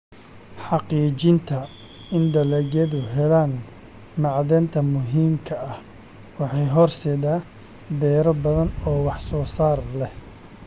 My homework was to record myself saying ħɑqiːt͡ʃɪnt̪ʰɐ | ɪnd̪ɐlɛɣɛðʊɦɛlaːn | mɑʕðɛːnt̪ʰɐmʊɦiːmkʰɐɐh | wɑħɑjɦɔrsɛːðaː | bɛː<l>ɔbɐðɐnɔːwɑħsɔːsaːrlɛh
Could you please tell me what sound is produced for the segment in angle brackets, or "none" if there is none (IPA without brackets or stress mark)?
ɾ